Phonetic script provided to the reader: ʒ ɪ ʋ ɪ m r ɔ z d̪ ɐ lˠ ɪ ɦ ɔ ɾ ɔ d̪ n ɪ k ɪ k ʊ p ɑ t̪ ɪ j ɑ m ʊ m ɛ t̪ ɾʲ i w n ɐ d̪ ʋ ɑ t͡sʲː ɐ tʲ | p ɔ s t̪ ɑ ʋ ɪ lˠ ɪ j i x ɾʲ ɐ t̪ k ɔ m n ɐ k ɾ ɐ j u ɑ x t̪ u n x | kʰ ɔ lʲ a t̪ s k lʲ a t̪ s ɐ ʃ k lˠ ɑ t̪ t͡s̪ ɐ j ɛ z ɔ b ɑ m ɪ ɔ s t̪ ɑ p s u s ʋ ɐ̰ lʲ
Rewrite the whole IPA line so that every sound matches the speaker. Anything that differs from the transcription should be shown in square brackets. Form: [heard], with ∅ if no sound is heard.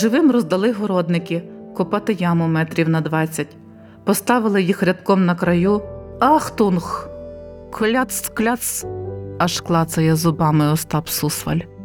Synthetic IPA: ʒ ɪ ʋ ɪ m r ɔ z d̪ ɐ lˠ ɪ ɦ ɔ ɾ ɔ d̪ n ɪ k ɪ k ʊ p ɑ t̪ ɪ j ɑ m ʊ m ɛ t̪ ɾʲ i w n ɐ d̪ ʋ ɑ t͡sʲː ɐ tʲ | p ɔ s t̪ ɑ ʋ ɪ lˠ ɪ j i x ɾʲ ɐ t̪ k ɔ m n ɐ k ɾ ɐ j u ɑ x t̪ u n x | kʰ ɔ lʲ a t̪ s k lʲ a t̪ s ɐ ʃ k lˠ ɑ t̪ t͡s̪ ɐ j ɛ z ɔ b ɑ m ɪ ɔ s t̪ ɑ p s u s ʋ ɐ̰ lʲ